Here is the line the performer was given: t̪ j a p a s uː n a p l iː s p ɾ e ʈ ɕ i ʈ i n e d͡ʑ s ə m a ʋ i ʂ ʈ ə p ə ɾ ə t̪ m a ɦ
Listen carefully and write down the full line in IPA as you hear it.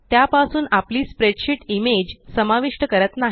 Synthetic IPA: t̪ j a p a s uː n a p l iː s p ɾ e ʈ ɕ i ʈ i m e d͡ʑ s ə m a ʋ i ʂ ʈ ə k ə ɾ ə t̪ n a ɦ